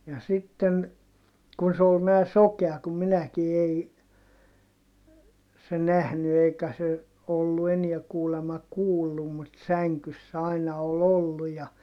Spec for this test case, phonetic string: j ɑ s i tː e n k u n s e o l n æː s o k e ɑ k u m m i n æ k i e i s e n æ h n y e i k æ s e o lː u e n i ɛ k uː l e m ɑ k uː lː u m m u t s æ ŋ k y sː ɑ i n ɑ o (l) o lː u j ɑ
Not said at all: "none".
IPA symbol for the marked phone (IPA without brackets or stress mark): l